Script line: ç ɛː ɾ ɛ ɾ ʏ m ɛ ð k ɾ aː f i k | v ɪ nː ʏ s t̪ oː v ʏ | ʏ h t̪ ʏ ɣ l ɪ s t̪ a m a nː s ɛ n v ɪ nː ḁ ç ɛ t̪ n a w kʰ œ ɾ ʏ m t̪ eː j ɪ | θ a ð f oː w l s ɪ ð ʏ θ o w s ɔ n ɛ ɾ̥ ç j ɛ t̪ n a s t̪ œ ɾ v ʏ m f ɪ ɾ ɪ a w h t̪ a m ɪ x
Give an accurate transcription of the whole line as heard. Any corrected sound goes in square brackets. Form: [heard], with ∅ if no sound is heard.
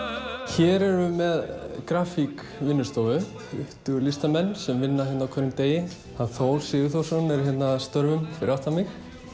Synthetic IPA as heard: ç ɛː ɾ ɛ ɾ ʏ m ɛ ð k ɾ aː f i k | v ɪ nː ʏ s t̪ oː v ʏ | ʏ h t̪ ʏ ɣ l ɪ s t̪ a m [ɛ] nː s ɛ [m] v ɪ nː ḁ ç ɛ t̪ n a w kʰ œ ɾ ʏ m t̪ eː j ɪ | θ a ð [θ] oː w l s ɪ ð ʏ θ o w s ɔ n ɛ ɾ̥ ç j ɛ t̪ n a s t̪ œ ɾ v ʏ m f ɪ ɾ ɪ a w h t̪ a m ɪ x